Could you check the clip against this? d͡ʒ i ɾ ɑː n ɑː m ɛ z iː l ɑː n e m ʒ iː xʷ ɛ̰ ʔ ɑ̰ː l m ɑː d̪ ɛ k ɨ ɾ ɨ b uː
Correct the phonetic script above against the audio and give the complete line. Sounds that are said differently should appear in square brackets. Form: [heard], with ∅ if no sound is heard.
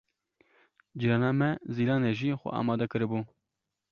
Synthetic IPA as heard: d͡ʒ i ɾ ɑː n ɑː m ɛ z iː l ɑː n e [∅] ʒ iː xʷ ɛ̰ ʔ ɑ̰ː [∅] m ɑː d̪ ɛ k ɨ ɾ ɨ b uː